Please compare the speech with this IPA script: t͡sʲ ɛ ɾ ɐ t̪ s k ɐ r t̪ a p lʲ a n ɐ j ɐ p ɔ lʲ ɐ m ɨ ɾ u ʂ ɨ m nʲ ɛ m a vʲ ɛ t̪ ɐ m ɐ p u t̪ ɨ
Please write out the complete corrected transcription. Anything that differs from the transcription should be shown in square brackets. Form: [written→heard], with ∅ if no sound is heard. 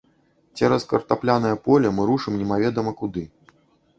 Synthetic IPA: t͡sʲ ɛ ɾ ɐ [t̪→∅] s k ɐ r t̪ a p lʲ a n ɐ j ɐ p ɔ lʲ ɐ m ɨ ɾ u ʂ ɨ m nʲ ɛ m a vʲ ɛ [t̪→d̪] ɐ m ɐ [p→k] u [t̪→d̪] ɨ